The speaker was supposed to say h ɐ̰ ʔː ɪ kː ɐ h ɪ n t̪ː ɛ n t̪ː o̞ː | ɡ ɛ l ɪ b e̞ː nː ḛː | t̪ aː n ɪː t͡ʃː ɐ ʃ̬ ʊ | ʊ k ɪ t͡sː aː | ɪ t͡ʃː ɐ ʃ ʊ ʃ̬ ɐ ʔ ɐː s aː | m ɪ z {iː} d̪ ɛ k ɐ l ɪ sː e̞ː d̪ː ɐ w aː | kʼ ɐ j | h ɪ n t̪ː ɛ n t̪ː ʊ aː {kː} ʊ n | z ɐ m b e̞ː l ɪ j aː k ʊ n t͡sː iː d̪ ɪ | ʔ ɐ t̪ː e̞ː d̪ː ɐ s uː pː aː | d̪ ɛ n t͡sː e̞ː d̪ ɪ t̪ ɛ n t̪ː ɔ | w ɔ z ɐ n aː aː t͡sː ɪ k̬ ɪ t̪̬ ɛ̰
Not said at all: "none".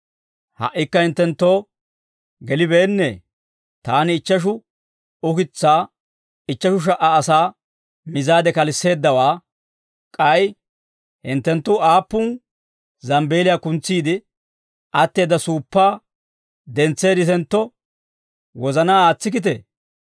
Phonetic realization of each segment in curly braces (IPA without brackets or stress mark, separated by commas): aː, pː